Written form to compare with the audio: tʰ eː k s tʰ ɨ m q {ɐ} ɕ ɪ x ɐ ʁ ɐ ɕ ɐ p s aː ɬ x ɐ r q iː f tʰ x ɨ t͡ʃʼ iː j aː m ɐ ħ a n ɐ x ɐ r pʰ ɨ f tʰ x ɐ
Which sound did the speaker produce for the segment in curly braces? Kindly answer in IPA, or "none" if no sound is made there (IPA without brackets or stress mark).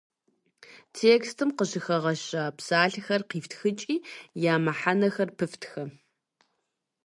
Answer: ə